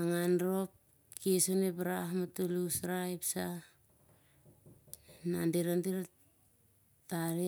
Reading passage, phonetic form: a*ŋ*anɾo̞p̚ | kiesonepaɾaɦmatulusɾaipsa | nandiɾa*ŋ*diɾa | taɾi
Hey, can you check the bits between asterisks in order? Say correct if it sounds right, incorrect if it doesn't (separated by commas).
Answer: correct, incorrect